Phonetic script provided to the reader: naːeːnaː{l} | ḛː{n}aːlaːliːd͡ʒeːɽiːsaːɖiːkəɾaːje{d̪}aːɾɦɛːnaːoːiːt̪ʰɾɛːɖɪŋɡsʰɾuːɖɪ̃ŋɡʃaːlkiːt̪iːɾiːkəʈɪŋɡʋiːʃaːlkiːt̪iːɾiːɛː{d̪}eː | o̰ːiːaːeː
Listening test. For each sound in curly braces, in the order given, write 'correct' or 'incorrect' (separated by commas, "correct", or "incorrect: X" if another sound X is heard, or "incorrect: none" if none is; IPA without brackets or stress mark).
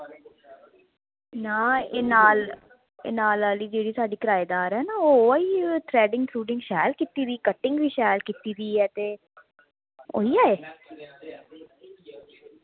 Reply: correct, correct, correct, incorrect: t̪